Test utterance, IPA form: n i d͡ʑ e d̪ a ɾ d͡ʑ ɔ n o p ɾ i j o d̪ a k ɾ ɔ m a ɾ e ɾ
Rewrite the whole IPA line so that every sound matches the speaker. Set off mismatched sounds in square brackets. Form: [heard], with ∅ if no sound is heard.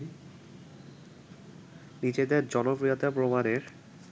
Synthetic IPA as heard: n i d͡ʑ e d̪ [e] ɾ d͡ʑ ɔ n o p ɾ i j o [t̪] a [p] ɾ [o] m a ɾ e ɾ